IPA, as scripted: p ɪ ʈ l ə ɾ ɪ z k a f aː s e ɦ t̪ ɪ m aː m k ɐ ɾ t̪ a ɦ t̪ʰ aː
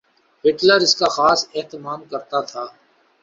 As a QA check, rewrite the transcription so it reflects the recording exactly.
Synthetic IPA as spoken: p ɪ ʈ l ə ɾ ɪ s k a x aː s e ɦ t̪ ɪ m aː m k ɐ ɾ t̪ a t̪ʰ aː